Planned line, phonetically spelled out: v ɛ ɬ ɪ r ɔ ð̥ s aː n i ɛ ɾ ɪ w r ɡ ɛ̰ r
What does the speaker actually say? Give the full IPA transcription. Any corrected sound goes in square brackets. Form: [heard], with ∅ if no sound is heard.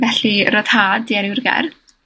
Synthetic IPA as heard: v ɛ ɬ [i] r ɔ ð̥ [h] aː [d] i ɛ ɾ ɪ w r ɡ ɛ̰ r